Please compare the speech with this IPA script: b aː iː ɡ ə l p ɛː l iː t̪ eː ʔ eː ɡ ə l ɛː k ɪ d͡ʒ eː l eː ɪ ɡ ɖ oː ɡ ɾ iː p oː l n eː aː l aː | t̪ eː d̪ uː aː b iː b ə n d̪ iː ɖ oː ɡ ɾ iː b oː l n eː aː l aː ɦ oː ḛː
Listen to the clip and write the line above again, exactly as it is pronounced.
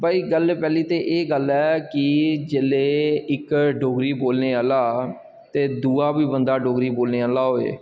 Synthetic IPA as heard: b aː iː ɡ ə l p ɛː l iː t̪ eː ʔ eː ɡ ə l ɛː k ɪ d͡ʒ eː l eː ɪ k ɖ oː ɡ ɾ iː b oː l n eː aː l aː | t̪ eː d̪ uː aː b iː b ə n d̪ aː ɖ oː ɡ ɾ iː b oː l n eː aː l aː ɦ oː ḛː

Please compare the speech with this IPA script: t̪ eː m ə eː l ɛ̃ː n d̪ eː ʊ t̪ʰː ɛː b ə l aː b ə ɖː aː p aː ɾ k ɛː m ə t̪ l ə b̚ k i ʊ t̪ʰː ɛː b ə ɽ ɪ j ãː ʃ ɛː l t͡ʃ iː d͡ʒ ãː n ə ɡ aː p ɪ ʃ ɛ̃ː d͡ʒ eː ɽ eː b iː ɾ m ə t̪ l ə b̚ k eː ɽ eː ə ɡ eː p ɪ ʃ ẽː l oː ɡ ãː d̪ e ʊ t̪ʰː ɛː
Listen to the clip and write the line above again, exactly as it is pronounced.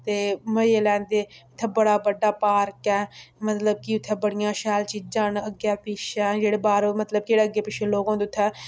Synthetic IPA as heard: t̪ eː m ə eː l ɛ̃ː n d̪ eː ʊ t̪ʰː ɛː b ə ɽ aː b ə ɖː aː p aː ɾ k ɛː m ə t̪ l ə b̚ k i ʊ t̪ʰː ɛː b ə ɽ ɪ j ãː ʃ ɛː l t͡ʃ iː d͡ʒ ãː n ə ɡ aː p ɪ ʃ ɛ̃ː d͡ʒ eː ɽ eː b aː ɾ m ə t̪ l ə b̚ k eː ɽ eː ə ɡ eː p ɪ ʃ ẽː l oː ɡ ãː d̪ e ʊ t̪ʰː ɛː

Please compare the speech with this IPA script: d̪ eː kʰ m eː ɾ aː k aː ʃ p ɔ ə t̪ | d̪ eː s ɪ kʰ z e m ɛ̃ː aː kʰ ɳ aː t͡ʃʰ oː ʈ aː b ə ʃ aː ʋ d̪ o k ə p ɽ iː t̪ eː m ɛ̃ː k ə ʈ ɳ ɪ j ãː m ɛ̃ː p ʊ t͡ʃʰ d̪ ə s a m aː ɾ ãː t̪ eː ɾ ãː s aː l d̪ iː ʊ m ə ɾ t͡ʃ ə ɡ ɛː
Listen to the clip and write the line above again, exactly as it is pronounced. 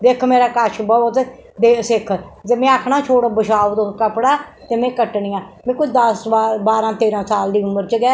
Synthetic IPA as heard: d̪ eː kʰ m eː ɾ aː k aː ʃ b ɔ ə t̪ | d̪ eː s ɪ kʰ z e m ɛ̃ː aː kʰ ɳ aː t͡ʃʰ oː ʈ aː b ə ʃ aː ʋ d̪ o k ə p ɽ aː t̪ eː m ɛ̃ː k ə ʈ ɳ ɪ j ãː m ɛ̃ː k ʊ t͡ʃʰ d̪ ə s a b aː ɾ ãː t̪ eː ɾ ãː s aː l d̪ iː ʊ m ə ɾ t͡ʃ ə ɡ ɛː

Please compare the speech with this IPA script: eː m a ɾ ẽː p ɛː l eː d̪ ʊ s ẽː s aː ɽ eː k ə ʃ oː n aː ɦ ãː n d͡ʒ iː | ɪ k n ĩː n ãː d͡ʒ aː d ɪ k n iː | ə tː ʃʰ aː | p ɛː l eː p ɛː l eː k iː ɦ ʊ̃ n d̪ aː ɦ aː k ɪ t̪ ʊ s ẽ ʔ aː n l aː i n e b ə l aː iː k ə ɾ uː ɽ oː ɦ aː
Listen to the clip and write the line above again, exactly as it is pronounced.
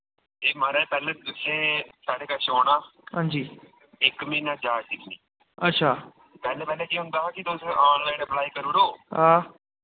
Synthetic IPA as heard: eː m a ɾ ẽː p ɛː l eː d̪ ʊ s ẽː s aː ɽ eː k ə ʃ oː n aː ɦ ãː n d͡ʒ iː | ɪ k m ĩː n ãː d͡ʒ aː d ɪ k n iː | ə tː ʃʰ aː | p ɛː l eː p ɛː l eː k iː ɦ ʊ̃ n d̪ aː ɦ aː k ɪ t̪ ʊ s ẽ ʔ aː n l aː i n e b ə l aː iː k ə ɾ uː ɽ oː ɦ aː

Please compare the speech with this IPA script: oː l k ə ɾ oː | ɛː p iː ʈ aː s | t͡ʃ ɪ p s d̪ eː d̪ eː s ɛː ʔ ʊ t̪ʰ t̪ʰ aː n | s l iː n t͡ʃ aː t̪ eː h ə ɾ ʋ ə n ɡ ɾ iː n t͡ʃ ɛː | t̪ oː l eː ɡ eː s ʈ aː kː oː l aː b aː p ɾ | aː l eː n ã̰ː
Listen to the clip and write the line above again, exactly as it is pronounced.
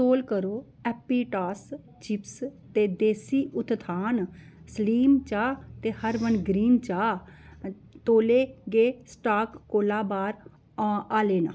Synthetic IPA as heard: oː l k ə ɾ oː | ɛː p iː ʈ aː s | t͡ʃ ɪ p s t̪ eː d̪ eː s iː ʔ ʊ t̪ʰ t̪ʰ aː n | s l iː m t͡ʃ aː t̪ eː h ə ɾ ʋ ə n ɡ ɾ iː n t͡ʃ aː | t̪ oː l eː ɡ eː s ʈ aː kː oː l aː b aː ɾ | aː l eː n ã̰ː

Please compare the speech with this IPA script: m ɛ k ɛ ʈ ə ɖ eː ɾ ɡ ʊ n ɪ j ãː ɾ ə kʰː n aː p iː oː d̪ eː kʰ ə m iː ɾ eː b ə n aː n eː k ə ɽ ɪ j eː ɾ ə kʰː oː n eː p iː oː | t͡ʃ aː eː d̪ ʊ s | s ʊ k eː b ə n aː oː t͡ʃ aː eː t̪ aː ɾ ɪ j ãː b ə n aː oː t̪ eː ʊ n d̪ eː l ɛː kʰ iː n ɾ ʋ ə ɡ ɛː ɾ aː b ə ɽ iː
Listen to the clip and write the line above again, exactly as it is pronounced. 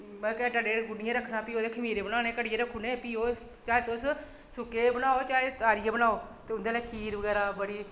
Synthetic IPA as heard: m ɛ k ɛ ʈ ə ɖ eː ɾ ɡ ʊ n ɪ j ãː ɾ ə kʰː n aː p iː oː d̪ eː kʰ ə m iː ɾ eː b ə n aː n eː k ə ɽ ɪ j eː ɾ ə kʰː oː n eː p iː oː | t͡ʃ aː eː t̪ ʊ s | s ʊ k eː b ə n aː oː t͡ʃ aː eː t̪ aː ɾ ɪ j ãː b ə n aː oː t̪ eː ʊ n d̪ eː l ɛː kʰ iː ɾ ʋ ə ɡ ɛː ɾ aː b ə ɽ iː

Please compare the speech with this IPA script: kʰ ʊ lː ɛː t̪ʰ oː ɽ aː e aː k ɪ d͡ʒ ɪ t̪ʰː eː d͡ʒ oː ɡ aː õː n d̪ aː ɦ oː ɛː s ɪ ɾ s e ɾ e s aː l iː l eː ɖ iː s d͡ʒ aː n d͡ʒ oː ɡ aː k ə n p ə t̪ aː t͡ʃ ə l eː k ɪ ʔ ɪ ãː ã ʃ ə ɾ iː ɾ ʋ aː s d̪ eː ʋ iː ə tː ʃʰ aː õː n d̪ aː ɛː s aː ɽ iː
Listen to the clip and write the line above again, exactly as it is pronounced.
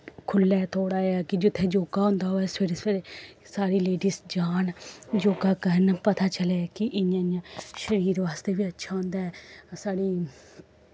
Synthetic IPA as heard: kʰ ʊ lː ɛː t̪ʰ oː ɽ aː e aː k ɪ d͡ʒ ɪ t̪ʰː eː d͡ʒ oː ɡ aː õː n d̪ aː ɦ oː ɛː s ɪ ɾ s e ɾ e s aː ɾ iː l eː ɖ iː s d͡ʒ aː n d͡ʒ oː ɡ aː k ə n p ə t̪ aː t͡ʃ ə l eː k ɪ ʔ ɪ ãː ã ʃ ə ɾ iː ɾ ʋ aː s t̪ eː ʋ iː ə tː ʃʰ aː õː n d̪ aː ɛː s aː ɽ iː

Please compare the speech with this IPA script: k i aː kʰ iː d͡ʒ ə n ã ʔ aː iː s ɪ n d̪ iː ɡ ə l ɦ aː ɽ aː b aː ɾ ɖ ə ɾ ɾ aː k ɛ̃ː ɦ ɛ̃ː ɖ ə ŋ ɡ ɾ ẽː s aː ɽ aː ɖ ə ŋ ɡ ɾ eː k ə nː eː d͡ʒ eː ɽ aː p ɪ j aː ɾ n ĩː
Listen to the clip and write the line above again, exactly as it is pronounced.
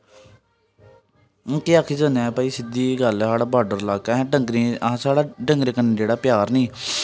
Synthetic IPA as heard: k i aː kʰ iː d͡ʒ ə n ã p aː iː s ɪ d̪ iː ɡ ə l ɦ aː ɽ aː b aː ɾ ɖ ə ɾ l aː k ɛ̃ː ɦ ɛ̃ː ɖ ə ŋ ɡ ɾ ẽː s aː ɽ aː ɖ ə ŋ ɡ ɾ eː k ə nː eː d͡ʒ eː ɽ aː p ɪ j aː ɾ n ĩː

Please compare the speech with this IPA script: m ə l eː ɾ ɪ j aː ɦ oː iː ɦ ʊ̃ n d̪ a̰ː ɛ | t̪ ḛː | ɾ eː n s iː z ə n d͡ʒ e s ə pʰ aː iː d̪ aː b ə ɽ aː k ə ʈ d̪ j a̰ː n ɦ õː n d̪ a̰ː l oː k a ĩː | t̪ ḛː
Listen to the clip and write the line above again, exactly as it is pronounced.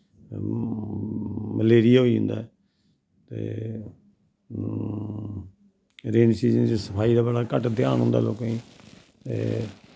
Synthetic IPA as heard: m ə l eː ɾ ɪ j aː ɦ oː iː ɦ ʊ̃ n d̪ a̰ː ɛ | t̪ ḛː | ɾ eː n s iː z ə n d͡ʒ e s ə pʰ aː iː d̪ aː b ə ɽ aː k ə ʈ d̪ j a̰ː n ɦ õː n d̪ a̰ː l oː k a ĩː | t̪ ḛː

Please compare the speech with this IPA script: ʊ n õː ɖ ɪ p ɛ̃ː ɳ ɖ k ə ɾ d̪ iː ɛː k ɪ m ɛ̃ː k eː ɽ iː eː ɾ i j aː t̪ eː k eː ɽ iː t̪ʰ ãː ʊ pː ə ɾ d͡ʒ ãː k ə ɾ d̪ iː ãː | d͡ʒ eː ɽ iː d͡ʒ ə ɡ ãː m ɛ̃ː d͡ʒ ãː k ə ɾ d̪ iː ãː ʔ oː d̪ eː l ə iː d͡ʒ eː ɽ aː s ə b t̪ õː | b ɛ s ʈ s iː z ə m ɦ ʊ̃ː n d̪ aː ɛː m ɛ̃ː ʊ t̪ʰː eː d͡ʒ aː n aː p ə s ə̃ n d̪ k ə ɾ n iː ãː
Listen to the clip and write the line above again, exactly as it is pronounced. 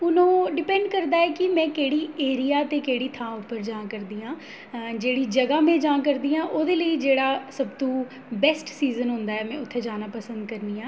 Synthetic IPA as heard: ʊ n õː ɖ ɪ p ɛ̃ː ɳ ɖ k ə ɾ d̪ aː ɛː k ɪ m ɛ̃ː k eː ɽ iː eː ɾ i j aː t̪ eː k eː ɽ iː t̪ʰ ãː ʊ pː ə ɾ d͡ʒ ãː k ə ɾ d̪ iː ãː | d͡ʒ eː ɽ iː d͡ʒ ə ɡ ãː m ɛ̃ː d͡ʒ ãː k ə ɾ d̪ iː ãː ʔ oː d̪ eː l ə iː d͡ʒ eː ɽ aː s ə b t̪ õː | b ɛ s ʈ s iː z ə n ɦ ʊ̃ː n d̪ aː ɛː m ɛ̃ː ʊ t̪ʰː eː d͡ʒ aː n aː p ə s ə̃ n d̪ k ə ɾ n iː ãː

